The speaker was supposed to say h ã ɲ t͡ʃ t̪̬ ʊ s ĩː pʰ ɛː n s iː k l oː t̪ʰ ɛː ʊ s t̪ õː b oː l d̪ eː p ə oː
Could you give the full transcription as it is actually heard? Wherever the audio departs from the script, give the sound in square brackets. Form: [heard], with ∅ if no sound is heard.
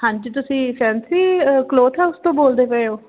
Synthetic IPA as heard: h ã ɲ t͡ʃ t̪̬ ʊ s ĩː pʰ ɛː n s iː k l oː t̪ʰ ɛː ʊ s t̪ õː b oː l d̪ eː p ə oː